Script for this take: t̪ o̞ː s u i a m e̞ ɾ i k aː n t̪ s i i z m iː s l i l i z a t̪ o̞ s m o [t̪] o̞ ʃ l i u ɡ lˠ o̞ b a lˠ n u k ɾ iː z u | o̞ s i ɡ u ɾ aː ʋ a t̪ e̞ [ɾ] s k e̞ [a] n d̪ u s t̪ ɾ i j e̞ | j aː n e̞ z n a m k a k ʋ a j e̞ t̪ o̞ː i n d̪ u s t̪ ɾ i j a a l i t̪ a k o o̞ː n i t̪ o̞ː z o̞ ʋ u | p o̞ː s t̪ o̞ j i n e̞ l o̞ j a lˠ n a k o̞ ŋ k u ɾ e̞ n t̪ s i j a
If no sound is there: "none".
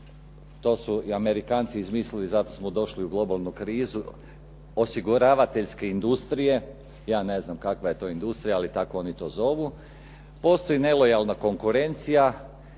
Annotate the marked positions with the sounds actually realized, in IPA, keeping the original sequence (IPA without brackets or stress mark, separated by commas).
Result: d̪, ʎ, i